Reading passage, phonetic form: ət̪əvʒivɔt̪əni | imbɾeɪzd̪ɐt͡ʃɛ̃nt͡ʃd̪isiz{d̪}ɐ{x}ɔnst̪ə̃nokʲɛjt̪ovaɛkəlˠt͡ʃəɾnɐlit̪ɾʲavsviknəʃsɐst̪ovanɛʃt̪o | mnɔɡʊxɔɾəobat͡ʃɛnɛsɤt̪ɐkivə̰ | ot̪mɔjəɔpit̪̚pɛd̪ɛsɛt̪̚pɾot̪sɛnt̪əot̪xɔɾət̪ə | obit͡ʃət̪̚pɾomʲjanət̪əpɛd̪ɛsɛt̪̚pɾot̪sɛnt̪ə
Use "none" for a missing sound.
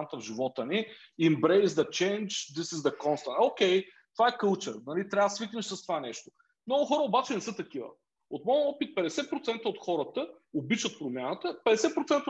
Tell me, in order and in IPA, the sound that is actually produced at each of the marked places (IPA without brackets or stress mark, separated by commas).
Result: d̪, k